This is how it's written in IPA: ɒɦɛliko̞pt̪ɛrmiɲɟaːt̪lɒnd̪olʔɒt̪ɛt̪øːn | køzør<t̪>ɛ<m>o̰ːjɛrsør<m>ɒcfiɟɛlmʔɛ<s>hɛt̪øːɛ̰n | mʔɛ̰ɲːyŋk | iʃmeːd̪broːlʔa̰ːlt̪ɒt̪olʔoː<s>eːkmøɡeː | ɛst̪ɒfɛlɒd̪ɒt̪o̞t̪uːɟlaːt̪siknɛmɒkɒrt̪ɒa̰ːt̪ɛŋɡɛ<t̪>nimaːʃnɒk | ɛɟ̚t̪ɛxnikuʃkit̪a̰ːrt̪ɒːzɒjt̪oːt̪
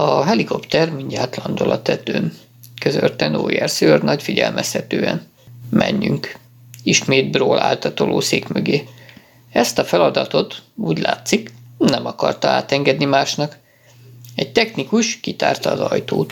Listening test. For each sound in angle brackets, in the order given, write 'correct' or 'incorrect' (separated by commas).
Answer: correct, incorrect, incorrect, correct, correct, incorrect